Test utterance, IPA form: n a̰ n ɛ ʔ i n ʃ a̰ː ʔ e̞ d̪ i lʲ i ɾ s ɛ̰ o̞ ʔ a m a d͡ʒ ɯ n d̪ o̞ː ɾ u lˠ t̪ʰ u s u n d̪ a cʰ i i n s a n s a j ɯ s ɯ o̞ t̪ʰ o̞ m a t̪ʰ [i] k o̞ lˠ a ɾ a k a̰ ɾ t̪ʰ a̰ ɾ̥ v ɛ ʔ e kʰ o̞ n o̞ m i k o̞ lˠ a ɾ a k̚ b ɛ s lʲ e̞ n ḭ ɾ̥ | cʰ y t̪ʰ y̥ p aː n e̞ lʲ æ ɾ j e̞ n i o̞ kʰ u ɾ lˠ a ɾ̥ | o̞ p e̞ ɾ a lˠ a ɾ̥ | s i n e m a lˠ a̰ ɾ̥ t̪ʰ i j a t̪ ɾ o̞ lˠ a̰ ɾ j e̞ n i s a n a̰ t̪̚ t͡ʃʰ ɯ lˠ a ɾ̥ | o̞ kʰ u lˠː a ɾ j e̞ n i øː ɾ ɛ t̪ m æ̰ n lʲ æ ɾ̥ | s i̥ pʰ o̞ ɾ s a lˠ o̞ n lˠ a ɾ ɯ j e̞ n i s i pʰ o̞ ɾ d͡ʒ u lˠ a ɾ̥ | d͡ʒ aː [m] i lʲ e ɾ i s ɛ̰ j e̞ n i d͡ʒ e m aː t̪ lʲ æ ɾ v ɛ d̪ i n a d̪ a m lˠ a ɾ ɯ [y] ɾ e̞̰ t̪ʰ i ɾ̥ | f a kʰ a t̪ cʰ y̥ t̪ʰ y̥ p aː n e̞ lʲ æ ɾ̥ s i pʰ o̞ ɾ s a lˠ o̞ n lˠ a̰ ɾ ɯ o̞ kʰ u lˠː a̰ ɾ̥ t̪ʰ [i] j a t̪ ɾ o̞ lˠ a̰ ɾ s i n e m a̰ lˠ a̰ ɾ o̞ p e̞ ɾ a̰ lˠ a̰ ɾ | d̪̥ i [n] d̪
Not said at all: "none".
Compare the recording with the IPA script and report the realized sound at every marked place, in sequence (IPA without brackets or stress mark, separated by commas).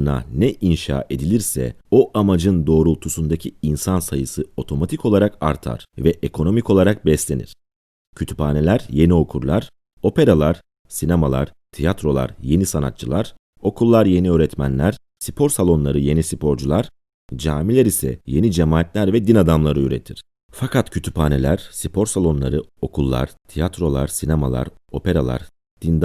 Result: i, m, y, i, n